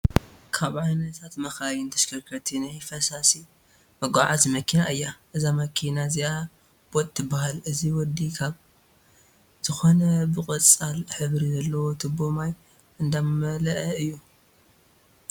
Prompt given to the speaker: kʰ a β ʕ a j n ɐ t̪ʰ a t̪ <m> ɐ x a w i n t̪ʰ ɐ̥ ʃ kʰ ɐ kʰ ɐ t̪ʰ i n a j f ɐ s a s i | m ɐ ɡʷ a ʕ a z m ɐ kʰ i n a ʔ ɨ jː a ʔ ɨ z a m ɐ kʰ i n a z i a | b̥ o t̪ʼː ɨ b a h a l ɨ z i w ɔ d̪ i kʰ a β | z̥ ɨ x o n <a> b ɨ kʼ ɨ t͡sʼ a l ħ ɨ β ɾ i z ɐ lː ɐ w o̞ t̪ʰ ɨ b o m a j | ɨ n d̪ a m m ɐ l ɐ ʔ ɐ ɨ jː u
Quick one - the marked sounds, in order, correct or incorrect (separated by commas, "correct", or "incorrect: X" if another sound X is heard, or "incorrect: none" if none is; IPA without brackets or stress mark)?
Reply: correct, incorrect: ɐ